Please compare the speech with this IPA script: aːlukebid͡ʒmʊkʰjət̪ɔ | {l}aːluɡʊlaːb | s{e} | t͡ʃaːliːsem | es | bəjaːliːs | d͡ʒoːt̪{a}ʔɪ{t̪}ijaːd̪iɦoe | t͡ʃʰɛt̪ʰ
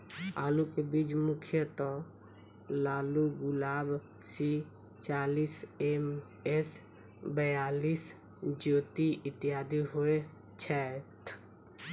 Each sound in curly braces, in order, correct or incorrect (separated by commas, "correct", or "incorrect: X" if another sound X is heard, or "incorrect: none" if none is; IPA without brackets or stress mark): correct, incorrect: i, incorrect: i, correct